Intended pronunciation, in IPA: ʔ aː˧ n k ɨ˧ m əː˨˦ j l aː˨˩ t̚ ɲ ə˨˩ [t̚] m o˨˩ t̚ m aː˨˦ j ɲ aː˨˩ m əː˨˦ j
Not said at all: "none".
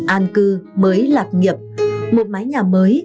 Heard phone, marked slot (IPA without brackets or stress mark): p̚